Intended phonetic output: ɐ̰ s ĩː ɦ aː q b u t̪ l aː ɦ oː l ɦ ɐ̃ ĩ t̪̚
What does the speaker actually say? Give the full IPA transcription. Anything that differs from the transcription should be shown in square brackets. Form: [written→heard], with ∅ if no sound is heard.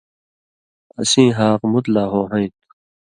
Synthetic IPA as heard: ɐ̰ s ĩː ɦ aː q [b→m] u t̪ l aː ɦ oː [l→∅] ɦ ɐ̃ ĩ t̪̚